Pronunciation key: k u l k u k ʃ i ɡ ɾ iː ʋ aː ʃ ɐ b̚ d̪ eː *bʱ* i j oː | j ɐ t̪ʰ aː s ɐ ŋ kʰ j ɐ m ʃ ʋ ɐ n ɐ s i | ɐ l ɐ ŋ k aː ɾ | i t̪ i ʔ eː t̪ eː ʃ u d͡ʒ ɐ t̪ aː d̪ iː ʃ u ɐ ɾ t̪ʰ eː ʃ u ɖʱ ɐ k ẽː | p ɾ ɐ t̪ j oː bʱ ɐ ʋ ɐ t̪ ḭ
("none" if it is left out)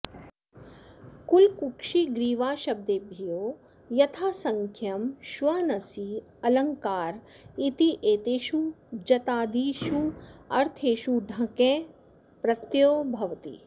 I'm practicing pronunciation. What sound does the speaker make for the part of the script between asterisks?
bʱ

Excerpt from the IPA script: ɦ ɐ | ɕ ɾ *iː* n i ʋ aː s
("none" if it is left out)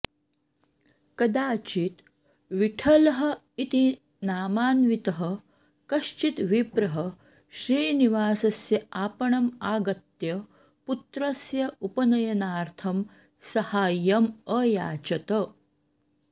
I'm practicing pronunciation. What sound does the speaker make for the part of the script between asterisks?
iː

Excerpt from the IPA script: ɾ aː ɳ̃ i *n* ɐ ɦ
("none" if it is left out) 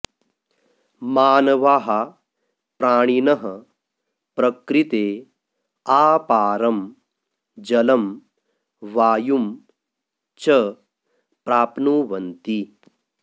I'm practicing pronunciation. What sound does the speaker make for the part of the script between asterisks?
n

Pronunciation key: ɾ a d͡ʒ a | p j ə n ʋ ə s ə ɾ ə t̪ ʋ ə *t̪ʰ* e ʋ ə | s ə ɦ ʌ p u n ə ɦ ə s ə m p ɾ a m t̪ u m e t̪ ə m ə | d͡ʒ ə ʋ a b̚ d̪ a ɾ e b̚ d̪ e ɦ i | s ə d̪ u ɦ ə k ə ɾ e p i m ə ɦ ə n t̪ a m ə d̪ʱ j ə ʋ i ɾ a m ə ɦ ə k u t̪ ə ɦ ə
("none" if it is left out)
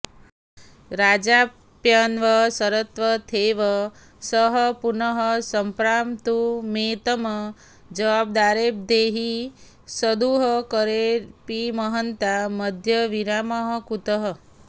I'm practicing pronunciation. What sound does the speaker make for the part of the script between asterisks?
t̪ʰ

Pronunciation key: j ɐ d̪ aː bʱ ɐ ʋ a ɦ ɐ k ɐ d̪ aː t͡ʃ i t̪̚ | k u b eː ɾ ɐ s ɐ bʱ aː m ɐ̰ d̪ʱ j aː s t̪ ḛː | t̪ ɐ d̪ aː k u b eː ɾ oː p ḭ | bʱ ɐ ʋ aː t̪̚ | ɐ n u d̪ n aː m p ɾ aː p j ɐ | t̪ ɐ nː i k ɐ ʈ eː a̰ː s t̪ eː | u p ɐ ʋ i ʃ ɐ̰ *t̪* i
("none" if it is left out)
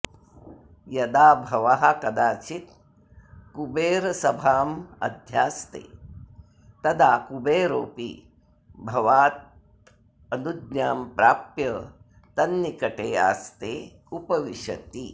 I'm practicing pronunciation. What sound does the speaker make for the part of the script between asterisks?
t̪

